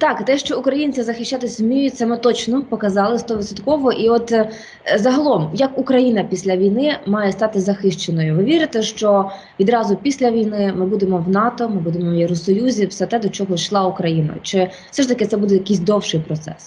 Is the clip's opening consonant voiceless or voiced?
voiceless